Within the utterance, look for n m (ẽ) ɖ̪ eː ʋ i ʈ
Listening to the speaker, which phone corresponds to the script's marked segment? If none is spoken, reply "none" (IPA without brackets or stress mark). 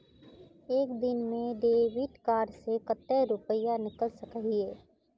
ẽ